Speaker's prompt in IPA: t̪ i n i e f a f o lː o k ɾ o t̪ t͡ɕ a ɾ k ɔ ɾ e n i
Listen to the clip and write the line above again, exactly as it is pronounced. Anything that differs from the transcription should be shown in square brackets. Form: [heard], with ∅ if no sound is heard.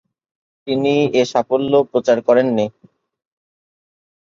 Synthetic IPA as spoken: t̪ i n i e [ʃ] a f o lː o [p] ɾ o [∅] t͡ɕ a ɾ k ɔ ɾ e [nː] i